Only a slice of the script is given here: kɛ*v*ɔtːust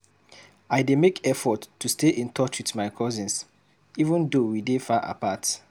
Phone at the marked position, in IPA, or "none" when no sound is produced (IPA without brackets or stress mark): f